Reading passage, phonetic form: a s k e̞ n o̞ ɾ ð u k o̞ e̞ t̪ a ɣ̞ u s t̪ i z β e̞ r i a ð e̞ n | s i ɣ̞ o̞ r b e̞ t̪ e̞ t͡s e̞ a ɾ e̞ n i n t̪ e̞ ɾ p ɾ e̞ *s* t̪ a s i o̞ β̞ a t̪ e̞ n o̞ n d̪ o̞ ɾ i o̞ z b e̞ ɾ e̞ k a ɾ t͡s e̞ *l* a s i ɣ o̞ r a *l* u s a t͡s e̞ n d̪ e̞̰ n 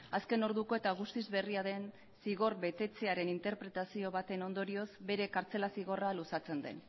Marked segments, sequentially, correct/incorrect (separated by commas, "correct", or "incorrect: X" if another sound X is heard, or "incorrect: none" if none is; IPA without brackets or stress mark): incorrect: none, correct, correct